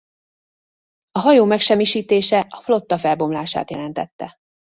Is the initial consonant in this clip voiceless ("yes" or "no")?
no